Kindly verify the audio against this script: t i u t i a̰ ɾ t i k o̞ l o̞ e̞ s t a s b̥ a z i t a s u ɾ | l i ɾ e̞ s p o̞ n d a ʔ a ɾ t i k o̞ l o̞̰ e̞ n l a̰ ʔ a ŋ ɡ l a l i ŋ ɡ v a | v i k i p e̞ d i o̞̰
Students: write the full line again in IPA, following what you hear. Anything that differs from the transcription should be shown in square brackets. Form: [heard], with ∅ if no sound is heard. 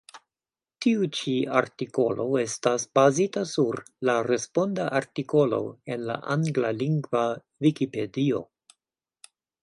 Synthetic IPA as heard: t i u [t͡ʃ] i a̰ ɾ t i k o̞ l o̞ e̞ s t a s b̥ a z i t a s u ɾ | l [a] ɾ e̞ s p o̞ n d a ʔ a ɾ t i k o̞ l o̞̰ e̞ n l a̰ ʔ a ŋ ɡ l a l i ŋ ɡ v a | v i k i p e̞ d i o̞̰